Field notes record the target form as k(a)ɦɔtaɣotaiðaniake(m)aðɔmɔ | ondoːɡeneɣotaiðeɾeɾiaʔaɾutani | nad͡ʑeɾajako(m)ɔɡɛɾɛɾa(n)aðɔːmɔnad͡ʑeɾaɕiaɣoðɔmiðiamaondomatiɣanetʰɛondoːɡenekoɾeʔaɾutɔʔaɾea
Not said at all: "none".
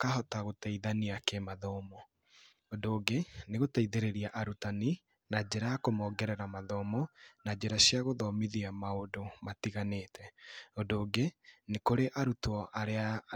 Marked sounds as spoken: a, m, m, m

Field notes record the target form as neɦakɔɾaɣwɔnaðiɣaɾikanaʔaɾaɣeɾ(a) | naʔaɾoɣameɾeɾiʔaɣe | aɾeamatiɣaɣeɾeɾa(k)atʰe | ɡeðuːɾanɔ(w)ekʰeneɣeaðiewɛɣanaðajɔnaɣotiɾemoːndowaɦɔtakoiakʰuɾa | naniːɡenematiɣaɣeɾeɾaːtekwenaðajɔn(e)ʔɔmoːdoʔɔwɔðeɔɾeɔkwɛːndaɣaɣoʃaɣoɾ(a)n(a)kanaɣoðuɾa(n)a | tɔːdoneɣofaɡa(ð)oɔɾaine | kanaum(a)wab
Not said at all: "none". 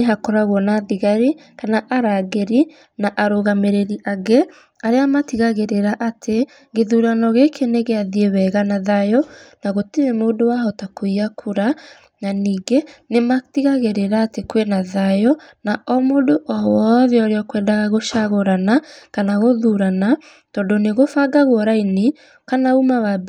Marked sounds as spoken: i, ʔ, ɣ, a, a, a, n, ɣ, a

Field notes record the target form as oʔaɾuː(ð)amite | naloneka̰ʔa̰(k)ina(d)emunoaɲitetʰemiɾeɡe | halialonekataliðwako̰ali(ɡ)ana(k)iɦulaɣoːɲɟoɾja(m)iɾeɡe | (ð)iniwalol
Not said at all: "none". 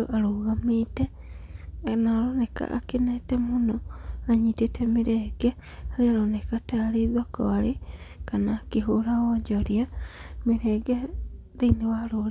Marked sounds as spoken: ɣ, k, t, k, k, m, ð

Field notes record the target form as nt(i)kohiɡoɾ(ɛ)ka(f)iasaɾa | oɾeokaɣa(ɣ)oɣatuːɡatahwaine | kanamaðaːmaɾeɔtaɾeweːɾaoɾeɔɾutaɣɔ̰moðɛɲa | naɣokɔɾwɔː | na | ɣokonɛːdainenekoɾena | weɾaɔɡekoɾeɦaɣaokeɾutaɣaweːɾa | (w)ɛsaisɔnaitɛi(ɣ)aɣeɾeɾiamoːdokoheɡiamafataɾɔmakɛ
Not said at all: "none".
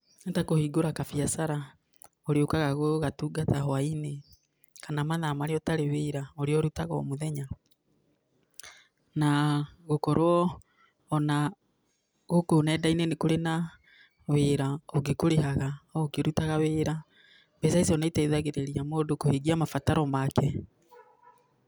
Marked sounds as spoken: a, a, f, ɣ, b, ð

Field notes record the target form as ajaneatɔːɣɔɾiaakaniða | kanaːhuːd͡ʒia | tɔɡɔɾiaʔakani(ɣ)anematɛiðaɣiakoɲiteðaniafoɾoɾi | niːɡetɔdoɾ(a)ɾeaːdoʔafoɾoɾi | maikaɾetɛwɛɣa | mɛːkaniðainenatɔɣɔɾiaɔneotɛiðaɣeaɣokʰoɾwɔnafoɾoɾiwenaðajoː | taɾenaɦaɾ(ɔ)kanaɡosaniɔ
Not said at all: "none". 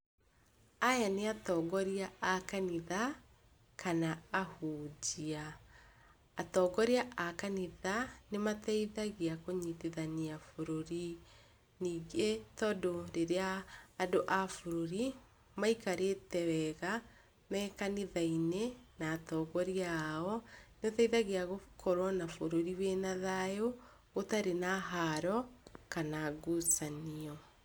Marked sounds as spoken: ð, e, ɔ

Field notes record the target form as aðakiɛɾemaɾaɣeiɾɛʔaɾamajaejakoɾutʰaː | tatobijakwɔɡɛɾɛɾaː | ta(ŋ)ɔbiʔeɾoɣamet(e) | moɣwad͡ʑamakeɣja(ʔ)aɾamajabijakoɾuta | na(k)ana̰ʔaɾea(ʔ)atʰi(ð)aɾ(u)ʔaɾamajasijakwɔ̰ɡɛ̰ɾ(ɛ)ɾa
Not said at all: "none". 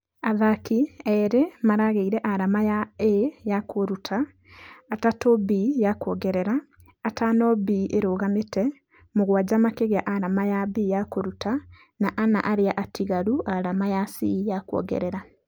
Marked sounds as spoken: n, ɛ, ʔ, ʔ, ʔ, ɣ, u, ɛ

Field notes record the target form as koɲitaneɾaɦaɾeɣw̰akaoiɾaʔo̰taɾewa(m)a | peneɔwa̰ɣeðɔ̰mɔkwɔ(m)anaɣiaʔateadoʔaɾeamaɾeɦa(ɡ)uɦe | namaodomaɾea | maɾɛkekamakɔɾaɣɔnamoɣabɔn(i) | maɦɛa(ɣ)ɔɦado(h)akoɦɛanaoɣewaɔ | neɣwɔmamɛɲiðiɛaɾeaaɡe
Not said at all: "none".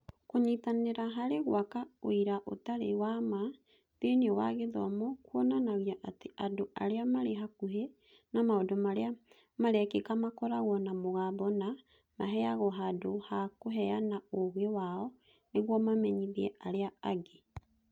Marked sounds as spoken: m, n, k, a, ɣ, h

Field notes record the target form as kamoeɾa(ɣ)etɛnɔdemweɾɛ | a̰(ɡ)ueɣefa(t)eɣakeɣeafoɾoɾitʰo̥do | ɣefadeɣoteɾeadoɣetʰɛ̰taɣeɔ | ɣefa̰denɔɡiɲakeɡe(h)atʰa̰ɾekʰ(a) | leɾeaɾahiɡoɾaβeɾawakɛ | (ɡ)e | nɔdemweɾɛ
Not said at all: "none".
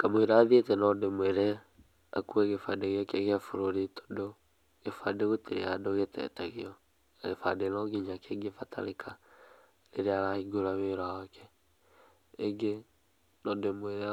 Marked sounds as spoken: ð, k, d, f, a, ɡ

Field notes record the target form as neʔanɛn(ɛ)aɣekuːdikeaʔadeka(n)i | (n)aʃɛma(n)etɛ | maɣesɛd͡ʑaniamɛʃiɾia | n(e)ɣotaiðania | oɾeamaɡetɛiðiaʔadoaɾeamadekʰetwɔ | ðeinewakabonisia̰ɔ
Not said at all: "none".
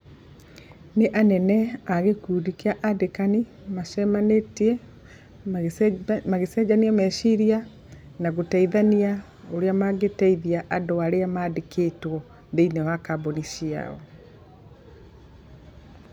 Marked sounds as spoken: ɛ, n, m, n, a

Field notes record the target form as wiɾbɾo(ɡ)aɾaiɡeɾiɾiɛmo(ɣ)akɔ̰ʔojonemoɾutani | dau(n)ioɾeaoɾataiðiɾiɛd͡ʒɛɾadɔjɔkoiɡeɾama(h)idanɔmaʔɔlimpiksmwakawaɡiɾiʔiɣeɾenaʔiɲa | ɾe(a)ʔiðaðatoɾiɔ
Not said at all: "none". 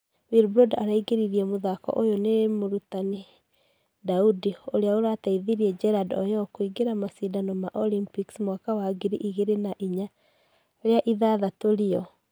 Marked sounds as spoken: d, ð, d, s, a

